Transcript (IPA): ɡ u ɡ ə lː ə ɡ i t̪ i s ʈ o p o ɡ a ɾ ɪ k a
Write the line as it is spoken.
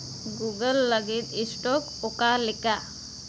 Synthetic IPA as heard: ɡ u ɡ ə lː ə ɡ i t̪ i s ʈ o k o k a l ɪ k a